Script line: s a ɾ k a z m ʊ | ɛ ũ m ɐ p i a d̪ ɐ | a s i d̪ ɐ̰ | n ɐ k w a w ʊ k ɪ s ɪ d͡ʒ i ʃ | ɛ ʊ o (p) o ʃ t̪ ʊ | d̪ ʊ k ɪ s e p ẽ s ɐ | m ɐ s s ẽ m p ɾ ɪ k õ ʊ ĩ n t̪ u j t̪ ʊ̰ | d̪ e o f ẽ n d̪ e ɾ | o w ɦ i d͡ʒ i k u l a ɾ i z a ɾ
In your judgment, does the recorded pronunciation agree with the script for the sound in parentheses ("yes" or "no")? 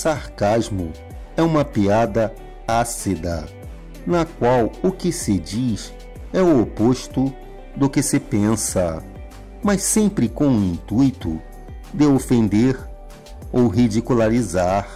yes